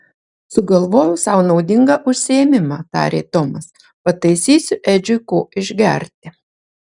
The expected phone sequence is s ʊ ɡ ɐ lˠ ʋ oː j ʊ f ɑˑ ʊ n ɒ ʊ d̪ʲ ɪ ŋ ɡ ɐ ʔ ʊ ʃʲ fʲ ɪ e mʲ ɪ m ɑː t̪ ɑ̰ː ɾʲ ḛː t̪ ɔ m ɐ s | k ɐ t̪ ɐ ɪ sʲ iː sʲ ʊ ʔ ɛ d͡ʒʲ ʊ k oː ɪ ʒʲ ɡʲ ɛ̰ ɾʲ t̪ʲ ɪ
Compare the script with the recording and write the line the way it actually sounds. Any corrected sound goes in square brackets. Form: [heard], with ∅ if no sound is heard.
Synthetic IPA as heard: s ʊ ɡ ɐ lˠ ʋ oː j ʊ [s] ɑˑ ʊ n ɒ ʊ d̪ʲ ɪ ŋ ɡ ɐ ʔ ʊ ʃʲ [sʲ] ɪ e mʲ ɪ m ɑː t̪ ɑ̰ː ɾʲ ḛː t̪ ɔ m ɐ s | [p] ɐ t̪ ɐ ɪ sʲ iː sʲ ʊ ʔ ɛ d͡ʒʲ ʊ k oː ɪ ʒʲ ɡʲ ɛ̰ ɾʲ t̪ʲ ɪ